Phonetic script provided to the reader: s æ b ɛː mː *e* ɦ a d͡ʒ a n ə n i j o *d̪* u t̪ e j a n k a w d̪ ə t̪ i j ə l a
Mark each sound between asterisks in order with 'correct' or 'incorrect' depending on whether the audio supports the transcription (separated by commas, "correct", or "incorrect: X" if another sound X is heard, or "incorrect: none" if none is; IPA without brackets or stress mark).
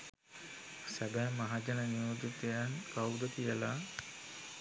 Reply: incorrect: a, correct